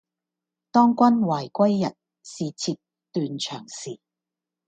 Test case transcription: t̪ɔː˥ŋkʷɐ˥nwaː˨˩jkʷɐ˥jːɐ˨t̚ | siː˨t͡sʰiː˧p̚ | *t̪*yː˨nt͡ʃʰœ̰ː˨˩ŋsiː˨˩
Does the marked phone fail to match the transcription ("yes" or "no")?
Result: no